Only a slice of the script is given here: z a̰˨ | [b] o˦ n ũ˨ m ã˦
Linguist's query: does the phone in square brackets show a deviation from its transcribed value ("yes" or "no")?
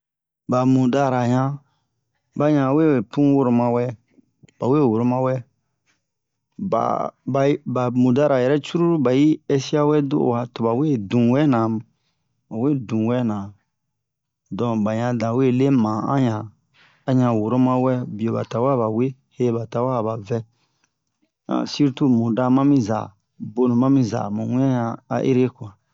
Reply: no